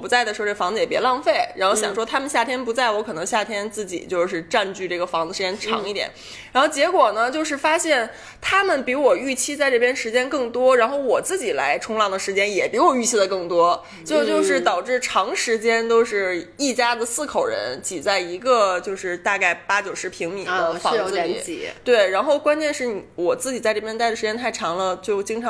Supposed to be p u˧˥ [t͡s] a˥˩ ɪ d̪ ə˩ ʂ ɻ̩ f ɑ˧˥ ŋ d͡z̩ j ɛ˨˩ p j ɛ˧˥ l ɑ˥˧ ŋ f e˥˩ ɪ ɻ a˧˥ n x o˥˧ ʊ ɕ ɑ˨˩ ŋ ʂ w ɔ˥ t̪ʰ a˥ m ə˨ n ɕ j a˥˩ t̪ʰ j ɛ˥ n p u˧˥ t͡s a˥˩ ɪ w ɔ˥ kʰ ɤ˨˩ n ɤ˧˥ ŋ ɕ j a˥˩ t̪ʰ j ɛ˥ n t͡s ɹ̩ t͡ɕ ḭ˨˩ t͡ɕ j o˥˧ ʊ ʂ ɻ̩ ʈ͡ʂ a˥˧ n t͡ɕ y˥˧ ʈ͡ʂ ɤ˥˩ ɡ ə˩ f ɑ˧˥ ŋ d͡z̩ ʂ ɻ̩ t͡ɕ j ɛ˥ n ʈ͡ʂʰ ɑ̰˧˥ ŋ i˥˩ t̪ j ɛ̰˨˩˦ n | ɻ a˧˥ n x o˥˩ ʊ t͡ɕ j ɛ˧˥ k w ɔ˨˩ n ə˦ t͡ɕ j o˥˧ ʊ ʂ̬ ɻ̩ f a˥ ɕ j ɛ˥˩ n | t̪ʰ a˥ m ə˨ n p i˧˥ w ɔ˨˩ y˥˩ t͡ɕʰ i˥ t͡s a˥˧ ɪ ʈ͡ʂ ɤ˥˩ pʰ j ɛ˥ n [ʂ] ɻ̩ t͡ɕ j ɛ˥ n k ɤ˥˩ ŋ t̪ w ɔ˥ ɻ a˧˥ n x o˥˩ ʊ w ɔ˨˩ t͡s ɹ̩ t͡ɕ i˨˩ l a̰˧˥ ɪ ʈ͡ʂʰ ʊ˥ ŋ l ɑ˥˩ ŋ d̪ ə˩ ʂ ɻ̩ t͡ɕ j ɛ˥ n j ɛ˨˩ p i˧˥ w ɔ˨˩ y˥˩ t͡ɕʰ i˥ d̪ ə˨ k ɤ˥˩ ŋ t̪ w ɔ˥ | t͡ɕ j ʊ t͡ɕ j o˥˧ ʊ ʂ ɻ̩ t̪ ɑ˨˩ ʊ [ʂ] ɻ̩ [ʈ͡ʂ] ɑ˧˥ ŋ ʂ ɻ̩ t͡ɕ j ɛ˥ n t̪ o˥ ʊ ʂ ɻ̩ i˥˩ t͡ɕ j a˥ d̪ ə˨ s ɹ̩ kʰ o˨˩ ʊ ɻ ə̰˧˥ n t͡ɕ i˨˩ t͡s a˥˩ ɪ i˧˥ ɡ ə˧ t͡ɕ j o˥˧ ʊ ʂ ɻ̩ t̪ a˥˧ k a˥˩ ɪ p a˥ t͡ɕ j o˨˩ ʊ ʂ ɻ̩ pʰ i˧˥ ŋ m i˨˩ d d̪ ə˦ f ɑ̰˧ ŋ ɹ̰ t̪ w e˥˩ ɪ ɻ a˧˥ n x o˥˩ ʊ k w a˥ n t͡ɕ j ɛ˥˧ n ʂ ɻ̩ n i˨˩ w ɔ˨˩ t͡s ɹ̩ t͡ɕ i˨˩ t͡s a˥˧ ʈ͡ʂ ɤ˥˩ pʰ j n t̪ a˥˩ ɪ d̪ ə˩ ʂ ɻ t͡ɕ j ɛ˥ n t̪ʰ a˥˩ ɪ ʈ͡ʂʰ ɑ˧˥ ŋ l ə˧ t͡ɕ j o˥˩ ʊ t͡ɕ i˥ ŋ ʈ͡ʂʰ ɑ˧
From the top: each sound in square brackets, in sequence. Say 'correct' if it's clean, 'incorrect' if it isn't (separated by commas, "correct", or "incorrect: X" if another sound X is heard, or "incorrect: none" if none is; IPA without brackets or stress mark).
correct, correct, incorrect: ʈ͡ʂ, incorrect: ʈ͡ʂʰ